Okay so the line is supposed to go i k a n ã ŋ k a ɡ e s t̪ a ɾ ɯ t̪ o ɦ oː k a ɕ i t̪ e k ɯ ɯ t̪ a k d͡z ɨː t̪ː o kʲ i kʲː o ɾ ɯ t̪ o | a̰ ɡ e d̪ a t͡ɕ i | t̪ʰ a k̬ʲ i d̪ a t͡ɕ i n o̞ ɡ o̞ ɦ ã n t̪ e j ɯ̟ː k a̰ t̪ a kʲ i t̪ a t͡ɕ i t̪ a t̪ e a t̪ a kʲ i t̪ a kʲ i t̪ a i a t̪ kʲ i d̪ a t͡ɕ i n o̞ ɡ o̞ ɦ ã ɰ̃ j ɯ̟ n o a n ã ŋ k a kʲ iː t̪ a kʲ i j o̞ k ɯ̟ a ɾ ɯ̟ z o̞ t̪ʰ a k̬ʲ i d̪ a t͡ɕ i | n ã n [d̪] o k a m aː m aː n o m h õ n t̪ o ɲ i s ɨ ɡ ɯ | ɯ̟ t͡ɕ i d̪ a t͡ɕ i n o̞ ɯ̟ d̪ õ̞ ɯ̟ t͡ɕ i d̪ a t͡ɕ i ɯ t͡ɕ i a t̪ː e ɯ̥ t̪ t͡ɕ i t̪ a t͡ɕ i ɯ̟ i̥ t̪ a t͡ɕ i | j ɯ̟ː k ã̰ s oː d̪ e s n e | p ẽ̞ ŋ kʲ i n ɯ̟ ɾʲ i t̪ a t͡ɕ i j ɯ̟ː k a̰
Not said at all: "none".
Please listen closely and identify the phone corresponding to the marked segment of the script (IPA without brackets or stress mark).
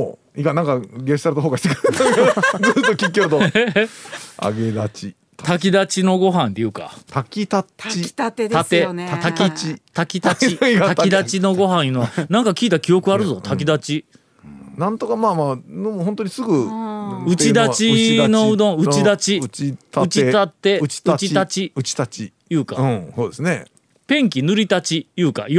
t̪